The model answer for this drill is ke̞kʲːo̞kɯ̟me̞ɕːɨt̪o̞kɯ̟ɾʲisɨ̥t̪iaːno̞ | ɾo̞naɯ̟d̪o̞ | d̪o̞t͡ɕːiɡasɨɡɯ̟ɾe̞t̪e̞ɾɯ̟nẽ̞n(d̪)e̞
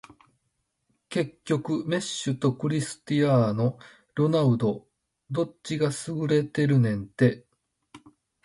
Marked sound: incorrect: t̪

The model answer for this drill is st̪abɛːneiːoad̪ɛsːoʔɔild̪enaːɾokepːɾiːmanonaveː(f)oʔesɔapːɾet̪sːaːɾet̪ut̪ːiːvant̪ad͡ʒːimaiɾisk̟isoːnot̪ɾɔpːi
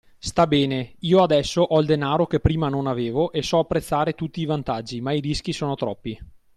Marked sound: incorrect: v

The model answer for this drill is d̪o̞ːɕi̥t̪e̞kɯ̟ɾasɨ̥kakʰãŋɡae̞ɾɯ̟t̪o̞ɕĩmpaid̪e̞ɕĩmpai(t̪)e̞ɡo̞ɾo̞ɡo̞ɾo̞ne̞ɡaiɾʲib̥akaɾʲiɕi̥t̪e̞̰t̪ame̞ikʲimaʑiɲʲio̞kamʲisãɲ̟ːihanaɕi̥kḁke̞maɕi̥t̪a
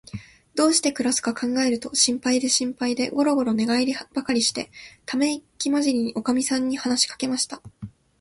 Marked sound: incorrect: d̪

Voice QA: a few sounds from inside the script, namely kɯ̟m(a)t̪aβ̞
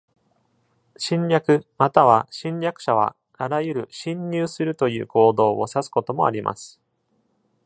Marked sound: correct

